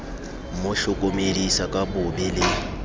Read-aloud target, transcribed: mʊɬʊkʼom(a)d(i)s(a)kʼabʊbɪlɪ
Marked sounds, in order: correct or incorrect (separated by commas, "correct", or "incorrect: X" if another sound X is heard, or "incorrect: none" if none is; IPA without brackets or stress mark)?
incorrect: e, correct, correct